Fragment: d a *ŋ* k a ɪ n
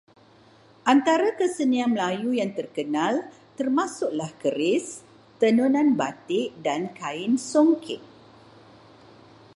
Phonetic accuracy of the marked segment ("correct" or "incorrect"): incorrect